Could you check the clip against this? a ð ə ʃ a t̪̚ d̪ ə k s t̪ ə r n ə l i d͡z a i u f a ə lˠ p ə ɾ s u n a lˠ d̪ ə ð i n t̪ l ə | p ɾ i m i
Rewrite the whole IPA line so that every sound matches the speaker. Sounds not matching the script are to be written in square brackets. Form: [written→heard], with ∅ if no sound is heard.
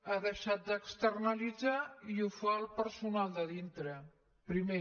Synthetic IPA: a ð ə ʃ a t̪̚ d̪ ə k s t̪ ə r n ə l i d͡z a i u f a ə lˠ p ə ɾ s u n a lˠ d̪ ə ð i n t̪ [l→ɾ] ə | p ɾ i m [i→e]